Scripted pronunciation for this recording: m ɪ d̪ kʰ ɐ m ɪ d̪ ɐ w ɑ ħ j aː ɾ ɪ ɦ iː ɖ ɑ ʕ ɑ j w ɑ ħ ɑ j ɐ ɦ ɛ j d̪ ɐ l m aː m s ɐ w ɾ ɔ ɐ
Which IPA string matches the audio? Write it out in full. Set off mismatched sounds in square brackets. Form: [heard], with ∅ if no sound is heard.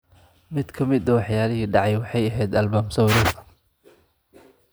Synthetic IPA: m ɪ d̪ kʰ ɐ m ɪ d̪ ɐ w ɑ ħ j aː [l] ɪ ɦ iː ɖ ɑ ʕ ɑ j w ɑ ħ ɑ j ɐ ɦ ɛ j d̪ ɐ l [b] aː m s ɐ w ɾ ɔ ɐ